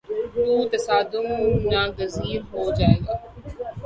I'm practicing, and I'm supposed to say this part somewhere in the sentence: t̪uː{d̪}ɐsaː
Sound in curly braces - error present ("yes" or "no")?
yes